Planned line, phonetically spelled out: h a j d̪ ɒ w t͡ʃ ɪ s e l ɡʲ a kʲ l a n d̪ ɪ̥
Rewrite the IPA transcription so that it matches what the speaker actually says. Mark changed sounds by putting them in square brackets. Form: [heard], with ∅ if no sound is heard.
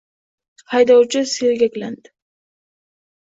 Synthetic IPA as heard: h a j d̪ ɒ w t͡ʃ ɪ s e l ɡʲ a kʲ l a n d̪ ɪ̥